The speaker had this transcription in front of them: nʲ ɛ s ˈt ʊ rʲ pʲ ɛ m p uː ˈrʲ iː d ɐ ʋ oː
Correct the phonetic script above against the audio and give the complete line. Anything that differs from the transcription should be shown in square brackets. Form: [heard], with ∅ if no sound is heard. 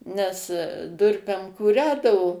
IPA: nʲ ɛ s [ˈd] ʊ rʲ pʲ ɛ m [k] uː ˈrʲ [æː] d ɐ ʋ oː